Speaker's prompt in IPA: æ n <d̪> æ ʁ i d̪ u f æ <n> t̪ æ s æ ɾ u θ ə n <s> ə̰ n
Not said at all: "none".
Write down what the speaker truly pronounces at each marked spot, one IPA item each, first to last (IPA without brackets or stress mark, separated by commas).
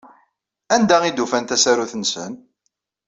d̪, n, s